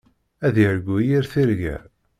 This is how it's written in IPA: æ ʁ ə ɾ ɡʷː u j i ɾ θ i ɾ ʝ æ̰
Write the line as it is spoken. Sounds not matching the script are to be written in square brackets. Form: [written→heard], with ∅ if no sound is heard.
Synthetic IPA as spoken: æ [ʁ→ð] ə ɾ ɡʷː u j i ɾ θ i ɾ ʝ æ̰